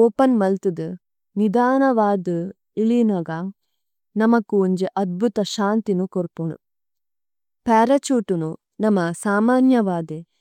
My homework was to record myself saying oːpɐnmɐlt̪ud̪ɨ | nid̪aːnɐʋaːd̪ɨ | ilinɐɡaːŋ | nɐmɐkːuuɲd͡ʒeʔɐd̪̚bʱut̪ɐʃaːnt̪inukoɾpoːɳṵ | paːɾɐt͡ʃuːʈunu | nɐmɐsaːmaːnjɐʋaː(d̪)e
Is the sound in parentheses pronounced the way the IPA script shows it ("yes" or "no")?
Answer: yes